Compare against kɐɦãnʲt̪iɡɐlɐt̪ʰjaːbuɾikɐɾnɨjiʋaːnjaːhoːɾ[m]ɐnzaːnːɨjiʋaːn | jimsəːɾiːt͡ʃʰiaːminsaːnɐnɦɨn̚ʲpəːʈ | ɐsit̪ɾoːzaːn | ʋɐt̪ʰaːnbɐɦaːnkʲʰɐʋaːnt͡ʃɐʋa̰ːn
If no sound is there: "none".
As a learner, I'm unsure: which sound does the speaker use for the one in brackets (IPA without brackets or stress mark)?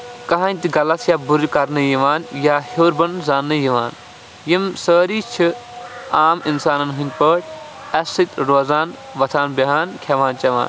b